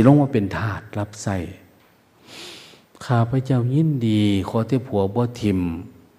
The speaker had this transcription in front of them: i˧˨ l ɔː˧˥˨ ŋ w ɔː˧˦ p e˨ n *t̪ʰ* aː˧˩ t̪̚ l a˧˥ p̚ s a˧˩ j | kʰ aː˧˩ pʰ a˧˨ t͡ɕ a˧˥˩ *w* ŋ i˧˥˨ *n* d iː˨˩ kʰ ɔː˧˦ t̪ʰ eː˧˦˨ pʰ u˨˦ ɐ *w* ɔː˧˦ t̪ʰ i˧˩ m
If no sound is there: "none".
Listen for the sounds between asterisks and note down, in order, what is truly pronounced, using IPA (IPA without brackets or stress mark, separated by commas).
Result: t̪ʰ, w, n, b